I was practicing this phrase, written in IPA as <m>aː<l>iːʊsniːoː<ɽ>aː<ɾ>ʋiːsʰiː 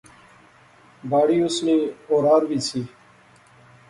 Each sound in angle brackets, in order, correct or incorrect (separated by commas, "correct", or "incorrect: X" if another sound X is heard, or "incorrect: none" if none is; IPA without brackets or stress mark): incorrect: b, incorrect: ɽ, incorrect: ɾ, correct